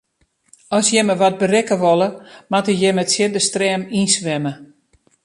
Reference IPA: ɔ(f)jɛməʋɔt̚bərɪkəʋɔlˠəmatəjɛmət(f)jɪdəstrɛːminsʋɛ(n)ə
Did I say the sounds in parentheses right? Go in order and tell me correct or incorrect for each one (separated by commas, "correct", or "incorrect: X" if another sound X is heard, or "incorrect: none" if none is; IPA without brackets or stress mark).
incorrect: s, incorrect: s, incorrect: m